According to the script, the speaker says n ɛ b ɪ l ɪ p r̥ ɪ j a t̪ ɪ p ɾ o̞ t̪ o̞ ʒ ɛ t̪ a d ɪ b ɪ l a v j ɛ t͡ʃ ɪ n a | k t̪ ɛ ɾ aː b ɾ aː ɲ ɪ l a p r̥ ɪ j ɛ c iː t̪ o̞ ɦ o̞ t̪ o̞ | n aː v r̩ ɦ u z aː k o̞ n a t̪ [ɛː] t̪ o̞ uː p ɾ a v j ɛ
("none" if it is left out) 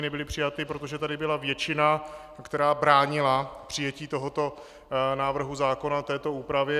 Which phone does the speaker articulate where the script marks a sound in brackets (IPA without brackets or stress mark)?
ɛː